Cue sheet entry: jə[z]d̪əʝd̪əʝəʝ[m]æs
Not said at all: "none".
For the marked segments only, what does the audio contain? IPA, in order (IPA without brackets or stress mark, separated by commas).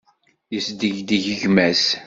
s, m